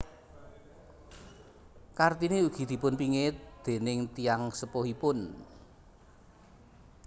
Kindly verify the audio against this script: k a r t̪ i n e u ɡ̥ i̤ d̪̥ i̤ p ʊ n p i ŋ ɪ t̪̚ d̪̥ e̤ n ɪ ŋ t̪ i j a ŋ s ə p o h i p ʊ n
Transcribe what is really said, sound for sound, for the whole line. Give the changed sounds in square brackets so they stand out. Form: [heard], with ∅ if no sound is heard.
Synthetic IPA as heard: k a r t̪ i n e u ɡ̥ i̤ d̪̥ i̤ p ʊ n p i ŋ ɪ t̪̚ d̪̥ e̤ n ɪ ŋ t̪ i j a ŋ s ə p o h i p ʊ n